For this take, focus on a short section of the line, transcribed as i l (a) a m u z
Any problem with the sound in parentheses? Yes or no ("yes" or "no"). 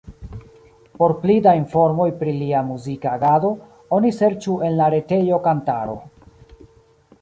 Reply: yes